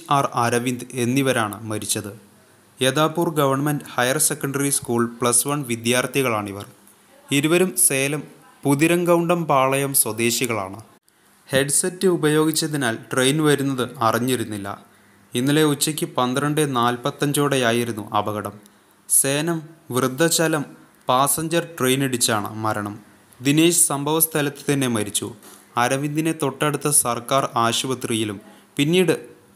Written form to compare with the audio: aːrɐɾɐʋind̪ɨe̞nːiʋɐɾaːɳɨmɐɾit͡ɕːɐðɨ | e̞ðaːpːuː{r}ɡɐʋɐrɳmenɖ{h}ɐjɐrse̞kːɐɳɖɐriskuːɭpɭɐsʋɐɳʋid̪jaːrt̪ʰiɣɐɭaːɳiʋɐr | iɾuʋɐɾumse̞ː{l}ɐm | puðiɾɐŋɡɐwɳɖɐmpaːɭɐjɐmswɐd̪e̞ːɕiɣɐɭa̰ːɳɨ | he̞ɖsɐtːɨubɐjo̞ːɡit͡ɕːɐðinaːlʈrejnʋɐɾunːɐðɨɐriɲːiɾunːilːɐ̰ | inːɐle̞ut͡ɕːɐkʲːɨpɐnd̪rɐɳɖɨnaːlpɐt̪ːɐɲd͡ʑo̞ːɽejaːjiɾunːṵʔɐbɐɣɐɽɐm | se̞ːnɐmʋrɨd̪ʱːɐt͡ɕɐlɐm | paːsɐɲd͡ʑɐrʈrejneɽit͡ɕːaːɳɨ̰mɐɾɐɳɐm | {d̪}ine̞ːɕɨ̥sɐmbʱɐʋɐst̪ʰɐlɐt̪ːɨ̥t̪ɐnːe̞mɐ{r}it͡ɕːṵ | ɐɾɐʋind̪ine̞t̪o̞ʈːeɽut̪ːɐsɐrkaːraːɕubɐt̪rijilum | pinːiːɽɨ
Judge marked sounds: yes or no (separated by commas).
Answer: yes, yes, yes, yes, no